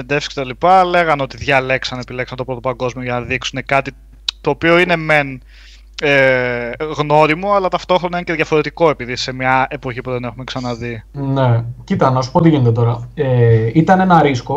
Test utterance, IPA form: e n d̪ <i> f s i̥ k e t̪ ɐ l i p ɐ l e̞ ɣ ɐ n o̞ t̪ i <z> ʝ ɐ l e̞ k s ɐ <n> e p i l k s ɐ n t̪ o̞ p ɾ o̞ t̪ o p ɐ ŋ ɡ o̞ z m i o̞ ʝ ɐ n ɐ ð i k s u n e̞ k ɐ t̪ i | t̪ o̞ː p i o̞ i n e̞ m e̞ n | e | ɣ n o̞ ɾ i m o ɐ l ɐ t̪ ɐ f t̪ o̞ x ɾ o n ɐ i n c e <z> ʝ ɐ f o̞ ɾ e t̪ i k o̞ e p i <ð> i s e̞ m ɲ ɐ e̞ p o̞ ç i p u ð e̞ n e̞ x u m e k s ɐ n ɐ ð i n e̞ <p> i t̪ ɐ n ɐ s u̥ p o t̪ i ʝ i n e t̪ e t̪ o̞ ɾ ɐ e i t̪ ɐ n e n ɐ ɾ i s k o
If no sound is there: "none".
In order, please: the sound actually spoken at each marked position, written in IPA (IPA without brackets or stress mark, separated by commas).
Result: e, ð, n, ð, ð, c